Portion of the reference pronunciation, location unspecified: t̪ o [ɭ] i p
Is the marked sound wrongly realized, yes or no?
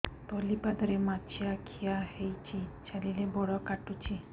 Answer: yes